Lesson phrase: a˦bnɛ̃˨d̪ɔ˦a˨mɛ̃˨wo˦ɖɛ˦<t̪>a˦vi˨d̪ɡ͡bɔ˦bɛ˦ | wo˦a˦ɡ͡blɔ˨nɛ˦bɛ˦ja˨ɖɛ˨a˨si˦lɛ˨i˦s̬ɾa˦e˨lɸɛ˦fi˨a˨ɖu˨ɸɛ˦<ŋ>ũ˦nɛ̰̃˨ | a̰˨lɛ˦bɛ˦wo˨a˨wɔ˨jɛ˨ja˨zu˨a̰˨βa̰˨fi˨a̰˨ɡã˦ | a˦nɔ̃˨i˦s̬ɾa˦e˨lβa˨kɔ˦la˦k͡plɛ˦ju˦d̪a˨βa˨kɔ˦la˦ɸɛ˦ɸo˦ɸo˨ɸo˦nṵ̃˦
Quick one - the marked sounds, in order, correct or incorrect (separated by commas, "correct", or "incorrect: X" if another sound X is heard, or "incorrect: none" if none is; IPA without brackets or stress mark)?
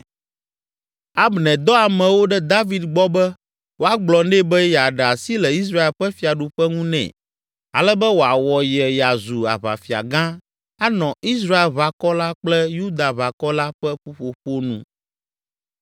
incorrect: d̪, correct